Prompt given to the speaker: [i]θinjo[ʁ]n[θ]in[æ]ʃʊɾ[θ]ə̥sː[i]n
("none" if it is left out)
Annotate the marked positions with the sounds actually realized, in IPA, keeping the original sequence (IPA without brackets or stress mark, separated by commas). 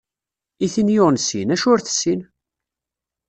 i, ʁ, s, æ, θ, i